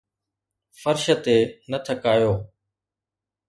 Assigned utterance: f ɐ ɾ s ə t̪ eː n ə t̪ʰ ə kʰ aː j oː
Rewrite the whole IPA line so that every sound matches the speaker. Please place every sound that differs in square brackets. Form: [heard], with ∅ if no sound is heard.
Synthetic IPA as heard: f [ə] ɾ [ʃ] ə t̪ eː n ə t̪ʰ ə [k] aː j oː